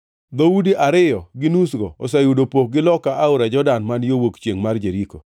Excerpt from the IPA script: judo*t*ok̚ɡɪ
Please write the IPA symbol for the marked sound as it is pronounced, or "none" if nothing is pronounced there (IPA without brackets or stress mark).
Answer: p